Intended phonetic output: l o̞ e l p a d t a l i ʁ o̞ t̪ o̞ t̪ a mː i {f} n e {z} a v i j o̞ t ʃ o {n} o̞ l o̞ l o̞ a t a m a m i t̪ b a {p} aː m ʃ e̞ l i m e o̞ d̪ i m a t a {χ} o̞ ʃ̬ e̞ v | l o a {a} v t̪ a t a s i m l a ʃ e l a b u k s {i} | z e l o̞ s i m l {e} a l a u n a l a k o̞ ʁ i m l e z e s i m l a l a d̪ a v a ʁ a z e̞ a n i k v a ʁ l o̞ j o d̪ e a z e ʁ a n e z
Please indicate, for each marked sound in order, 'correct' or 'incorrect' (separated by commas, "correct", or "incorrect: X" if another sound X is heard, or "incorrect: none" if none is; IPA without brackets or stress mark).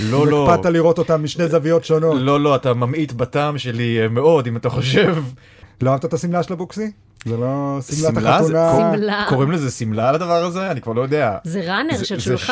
incorrect: ʃ, correct, correct, incorrect: t, correct, correct, correct, incorrect: a